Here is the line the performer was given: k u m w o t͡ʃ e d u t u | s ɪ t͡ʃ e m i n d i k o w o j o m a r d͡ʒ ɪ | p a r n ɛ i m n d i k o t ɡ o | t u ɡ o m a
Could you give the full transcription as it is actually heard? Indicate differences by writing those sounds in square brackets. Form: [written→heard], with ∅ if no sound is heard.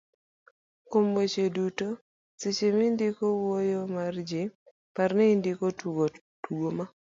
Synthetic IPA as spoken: k [u→o] m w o t͡ʃ e d u t [u→o] | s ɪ t͡ʃ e m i n d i k o w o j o m a r d͡ʒ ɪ | p a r n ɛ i [m→∅] n d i k o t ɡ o | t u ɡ o m a